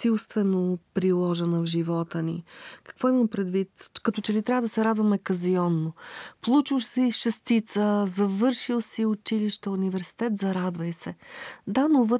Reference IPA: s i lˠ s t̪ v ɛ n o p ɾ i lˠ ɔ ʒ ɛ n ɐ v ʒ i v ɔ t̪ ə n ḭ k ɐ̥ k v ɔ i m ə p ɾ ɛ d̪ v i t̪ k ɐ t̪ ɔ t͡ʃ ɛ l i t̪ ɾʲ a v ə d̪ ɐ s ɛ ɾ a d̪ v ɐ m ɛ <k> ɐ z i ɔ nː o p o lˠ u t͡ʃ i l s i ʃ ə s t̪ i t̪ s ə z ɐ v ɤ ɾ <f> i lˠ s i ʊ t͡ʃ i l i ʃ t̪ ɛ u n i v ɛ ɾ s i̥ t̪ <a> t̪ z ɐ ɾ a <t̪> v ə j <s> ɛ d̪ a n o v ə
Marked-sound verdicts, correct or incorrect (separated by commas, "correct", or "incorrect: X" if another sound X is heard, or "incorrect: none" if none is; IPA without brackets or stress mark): correct, incorrect: ʃ, incorrect: ɛ, incorrect: d̪, correct